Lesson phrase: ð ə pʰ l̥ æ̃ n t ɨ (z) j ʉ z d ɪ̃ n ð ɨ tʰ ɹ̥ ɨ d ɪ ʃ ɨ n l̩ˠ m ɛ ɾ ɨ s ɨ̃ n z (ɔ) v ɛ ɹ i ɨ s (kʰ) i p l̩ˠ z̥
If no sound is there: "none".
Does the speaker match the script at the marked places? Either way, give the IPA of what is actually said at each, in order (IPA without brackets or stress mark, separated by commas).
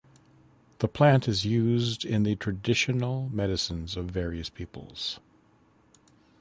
z, ʌ, pʰ